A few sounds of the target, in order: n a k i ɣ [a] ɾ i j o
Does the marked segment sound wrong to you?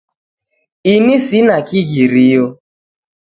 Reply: yes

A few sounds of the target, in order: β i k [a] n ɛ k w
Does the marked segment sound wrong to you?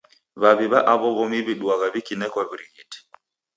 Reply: yes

